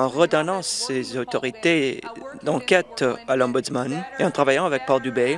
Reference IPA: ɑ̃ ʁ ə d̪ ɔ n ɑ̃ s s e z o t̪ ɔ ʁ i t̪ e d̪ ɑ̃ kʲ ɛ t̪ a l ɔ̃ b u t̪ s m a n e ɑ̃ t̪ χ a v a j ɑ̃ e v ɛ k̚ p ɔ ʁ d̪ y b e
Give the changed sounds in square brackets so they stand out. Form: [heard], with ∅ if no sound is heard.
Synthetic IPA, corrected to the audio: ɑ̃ ʁ ə d̪ ɔ n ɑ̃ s s e z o t̪ ɔ ʁ i t̪ e d̪ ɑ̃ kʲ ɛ t̪ a l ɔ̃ b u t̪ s m a n e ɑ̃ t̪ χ a v a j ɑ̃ [a] v ɛ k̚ p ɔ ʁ d̪ y b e